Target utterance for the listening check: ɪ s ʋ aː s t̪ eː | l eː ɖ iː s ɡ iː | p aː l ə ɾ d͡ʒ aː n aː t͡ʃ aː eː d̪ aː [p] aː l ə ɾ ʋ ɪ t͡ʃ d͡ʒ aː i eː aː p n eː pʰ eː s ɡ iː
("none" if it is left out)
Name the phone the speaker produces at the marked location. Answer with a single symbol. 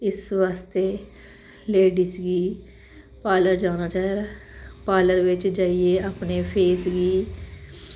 p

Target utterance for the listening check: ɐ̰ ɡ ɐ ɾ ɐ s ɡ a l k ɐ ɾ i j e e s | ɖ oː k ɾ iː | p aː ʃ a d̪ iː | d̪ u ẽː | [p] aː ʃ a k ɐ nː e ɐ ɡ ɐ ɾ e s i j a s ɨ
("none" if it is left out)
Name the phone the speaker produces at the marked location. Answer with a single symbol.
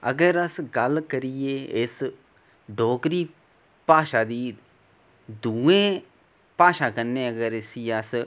p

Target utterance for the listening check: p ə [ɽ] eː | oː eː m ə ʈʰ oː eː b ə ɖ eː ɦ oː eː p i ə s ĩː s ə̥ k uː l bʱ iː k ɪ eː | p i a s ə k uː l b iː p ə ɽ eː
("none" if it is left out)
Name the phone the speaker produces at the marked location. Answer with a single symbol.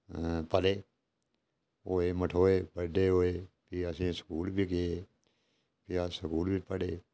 l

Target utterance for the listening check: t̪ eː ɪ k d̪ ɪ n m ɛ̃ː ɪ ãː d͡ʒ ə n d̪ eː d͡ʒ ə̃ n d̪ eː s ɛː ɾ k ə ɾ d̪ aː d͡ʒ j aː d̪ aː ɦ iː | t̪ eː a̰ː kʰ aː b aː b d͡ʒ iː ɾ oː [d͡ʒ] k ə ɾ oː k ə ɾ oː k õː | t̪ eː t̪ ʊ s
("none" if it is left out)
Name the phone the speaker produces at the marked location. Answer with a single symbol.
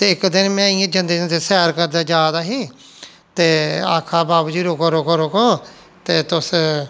none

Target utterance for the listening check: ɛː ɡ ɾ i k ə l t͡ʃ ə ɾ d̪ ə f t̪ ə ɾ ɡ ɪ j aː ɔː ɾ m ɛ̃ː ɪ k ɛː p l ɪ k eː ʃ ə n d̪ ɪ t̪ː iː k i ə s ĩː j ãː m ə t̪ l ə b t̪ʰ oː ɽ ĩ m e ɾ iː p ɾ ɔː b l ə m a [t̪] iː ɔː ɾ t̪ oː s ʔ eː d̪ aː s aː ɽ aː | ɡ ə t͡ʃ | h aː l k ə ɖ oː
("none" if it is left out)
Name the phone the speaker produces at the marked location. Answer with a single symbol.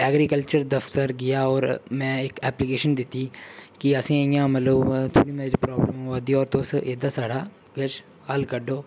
d̪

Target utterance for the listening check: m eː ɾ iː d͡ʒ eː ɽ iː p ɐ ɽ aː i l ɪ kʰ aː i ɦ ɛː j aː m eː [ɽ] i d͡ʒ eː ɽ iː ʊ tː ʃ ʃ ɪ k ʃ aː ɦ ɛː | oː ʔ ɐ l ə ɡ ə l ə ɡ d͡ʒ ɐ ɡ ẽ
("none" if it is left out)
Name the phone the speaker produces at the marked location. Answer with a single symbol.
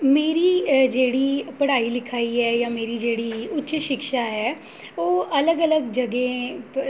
ɾ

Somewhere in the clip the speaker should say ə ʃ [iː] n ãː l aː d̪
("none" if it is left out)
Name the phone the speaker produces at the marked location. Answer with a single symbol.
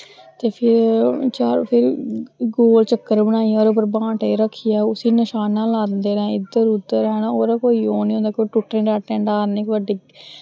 aː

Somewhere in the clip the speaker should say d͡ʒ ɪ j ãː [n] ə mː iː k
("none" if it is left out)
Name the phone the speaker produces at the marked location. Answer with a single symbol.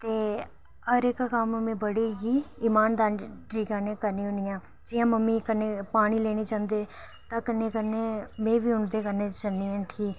m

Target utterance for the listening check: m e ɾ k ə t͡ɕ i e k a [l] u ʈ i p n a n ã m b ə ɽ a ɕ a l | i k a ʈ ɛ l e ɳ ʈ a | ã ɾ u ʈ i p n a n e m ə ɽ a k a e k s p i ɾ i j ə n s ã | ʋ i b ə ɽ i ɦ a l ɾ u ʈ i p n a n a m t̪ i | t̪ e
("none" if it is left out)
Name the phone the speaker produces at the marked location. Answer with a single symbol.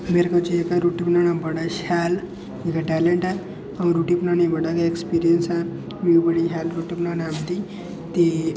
ɾ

